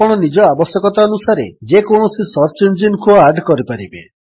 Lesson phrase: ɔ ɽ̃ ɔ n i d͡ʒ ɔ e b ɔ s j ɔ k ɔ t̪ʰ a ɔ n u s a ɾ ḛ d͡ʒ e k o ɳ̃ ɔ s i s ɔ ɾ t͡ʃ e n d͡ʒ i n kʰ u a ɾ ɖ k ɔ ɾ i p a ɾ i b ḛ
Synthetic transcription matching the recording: ɔ ɽ̃ ɔ n i d͡ʒ ɔ a b ɔ s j ɔ k ɔ t̪ a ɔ n u s a ɾ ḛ d͡ʒ e k o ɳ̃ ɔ s i s ɔ ɾ t͡ʃ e n d͡ʒ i n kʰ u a ɾ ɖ k ɔ ɾ i p a ɾ i b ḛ